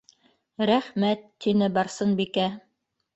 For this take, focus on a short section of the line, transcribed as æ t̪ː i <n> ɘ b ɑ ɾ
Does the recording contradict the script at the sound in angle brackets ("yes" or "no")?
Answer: no